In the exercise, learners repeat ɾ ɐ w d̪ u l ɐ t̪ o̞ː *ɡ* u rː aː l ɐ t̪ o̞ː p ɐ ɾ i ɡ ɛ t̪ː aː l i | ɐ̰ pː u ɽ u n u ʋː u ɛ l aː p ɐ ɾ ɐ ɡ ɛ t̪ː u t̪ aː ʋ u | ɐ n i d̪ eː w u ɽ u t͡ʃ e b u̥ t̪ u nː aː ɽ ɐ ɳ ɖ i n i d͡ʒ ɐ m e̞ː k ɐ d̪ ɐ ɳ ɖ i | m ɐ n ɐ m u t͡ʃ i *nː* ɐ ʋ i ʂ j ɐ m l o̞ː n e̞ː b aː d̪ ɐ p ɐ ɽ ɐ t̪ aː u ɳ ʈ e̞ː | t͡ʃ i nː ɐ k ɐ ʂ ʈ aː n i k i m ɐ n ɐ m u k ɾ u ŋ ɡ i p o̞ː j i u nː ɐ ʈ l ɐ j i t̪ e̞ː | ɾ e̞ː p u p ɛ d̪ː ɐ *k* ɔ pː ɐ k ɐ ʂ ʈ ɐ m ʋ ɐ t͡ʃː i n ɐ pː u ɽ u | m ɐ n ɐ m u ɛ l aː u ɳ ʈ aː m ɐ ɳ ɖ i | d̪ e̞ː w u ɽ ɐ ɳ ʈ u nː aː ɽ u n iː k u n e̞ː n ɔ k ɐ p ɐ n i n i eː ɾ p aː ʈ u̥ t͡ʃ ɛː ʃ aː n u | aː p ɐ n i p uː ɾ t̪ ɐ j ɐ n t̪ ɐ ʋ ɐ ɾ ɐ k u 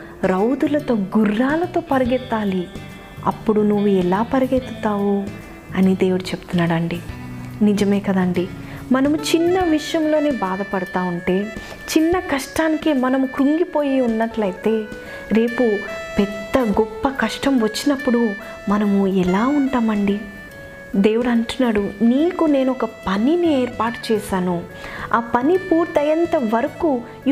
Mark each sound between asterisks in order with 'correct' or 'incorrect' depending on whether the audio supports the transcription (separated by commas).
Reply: correct, correct, incorrect